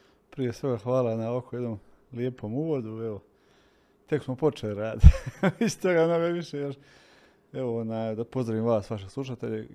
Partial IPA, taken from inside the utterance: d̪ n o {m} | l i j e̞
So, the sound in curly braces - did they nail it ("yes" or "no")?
yes